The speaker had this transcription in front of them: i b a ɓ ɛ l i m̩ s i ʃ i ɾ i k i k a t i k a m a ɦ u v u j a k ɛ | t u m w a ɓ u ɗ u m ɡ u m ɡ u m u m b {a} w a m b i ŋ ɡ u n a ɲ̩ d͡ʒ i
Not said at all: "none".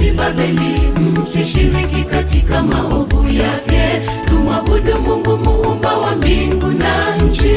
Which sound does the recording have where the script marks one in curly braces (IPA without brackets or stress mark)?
a